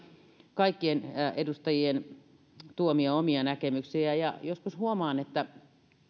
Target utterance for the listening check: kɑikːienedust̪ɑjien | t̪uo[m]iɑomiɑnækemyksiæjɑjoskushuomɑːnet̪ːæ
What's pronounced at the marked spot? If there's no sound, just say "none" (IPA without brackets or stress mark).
m